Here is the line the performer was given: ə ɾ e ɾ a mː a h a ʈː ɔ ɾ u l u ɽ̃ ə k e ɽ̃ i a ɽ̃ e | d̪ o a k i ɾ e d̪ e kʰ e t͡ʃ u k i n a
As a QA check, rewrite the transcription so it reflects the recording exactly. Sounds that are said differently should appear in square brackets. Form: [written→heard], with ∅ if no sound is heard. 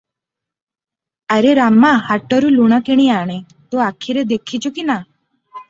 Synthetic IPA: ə ɾ e ɾ a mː a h a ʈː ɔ ɾ u l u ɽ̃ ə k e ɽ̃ i a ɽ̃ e | [d̪→t̪] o a [k→kʰ] i ɾ e d̪ e kʰ [e→i] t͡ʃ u k i n a